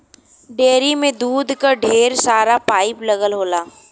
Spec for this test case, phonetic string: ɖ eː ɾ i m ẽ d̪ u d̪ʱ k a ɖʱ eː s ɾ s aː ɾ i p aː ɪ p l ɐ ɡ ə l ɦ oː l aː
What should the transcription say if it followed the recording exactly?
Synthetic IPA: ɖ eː ɾ i m ẽ d̪ uː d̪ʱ k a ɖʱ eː ɾ s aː ɾ a p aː ɪ p l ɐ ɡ ə l ɦ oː l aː